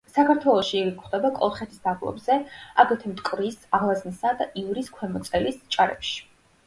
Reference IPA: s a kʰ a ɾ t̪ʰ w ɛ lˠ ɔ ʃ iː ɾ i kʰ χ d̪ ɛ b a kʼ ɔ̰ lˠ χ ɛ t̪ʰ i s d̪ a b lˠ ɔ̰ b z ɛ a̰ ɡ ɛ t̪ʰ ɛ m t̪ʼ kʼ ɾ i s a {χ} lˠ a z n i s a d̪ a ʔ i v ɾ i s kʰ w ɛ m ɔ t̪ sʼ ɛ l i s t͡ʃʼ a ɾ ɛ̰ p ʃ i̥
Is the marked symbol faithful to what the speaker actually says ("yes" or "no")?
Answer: no